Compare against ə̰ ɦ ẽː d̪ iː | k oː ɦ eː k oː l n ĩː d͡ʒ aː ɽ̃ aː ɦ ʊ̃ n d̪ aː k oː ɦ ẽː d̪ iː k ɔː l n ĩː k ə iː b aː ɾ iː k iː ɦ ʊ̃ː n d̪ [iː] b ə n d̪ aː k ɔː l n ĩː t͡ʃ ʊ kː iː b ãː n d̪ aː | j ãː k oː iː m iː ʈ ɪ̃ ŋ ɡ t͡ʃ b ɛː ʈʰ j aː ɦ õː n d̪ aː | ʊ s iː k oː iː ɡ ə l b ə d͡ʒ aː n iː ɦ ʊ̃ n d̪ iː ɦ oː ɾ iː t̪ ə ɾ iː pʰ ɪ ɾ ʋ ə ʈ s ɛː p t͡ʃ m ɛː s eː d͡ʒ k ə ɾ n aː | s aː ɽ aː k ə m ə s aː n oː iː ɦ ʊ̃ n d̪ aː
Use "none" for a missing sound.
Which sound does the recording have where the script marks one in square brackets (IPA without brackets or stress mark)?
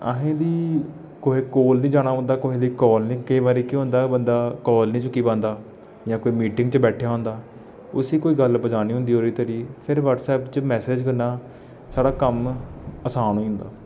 aː